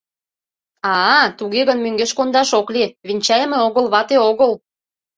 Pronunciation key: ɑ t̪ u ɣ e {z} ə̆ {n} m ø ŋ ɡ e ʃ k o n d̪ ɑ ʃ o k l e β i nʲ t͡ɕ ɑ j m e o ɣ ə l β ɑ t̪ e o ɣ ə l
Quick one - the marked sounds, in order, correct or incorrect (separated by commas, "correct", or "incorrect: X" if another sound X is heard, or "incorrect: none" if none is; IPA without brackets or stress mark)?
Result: incorrect: ɣ, correct